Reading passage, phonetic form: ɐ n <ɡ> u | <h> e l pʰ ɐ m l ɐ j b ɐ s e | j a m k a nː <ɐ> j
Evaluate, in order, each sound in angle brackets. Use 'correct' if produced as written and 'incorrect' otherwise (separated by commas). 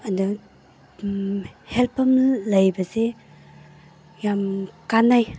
incorrect, correct, incorrect